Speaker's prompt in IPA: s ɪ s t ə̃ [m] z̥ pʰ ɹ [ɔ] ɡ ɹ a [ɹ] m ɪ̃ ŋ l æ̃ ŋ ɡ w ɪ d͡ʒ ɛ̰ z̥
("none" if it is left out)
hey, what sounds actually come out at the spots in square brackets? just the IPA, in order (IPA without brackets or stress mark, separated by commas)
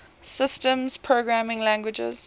m, o, none